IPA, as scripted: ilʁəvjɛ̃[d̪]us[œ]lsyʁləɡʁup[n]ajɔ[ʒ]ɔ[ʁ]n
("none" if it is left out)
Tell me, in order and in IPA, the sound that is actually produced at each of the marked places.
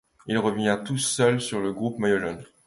t̪, œ, m, ʒ, none

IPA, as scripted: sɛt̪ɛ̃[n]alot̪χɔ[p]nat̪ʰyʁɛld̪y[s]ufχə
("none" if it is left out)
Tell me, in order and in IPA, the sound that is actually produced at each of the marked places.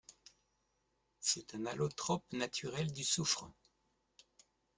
n, p, s

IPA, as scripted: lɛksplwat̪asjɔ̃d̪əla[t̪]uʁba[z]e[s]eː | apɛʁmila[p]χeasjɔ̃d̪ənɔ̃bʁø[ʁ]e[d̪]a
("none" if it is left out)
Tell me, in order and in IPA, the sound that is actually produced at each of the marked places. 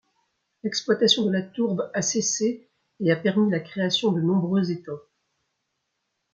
t̪, s, s, k, z, t̪

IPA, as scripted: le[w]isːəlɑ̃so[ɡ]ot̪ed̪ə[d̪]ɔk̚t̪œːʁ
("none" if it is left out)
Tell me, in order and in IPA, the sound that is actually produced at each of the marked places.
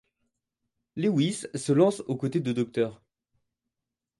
w, k, d̪

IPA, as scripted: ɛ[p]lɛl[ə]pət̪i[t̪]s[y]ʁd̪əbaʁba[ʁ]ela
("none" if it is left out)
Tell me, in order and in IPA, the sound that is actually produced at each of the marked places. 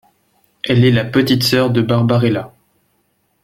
none, a, t̪, œ, ʁ

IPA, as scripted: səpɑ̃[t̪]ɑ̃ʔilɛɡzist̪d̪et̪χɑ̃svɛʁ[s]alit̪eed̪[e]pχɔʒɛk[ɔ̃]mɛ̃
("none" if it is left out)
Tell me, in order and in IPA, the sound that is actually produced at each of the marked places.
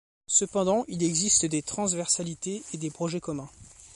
d̪, s, e, ɔ

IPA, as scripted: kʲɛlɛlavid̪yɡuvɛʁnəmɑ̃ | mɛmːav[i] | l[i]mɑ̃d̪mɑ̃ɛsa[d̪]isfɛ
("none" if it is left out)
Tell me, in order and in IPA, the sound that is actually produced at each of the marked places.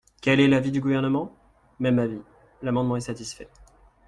i, a, t̪

